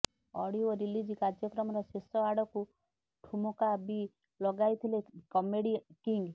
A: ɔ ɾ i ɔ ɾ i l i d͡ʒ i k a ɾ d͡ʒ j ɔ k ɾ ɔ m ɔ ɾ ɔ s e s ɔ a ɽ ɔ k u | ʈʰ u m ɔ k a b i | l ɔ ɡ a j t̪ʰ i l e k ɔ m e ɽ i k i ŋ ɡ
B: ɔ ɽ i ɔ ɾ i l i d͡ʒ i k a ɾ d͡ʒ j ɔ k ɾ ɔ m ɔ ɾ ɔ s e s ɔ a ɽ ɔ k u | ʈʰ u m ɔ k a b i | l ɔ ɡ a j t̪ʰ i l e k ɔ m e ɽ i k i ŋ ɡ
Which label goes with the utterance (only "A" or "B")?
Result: B